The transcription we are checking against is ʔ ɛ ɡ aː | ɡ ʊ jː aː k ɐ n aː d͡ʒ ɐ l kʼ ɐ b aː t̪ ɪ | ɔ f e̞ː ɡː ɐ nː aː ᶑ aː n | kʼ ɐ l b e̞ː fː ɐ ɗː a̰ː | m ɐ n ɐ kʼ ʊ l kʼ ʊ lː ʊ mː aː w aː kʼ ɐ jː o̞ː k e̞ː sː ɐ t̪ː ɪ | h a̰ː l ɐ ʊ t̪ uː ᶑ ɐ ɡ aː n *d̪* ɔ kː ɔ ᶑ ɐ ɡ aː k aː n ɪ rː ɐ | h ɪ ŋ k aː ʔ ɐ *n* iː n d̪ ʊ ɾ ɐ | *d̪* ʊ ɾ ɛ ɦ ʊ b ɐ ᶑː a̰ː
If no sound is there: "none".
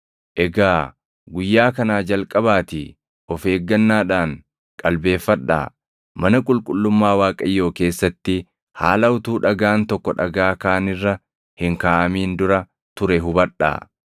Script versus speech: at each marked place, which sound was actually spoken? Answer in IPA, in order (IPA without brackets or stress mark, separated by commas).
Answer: t̪, m, t̪